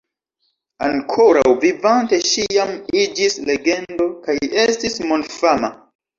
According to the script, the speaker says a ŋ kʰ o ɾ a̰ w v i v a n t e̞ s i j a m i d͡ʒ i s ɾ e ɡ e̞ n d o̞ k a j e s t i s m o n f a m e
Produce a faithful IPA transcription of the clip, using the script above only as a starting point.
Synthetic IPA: a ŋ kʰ o ɾ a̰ w v i v a n t e̞ ʃ i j a m i d͡ʒ i s l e ɡ e̞ n d o̞ k a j e s t i s m o n f a m a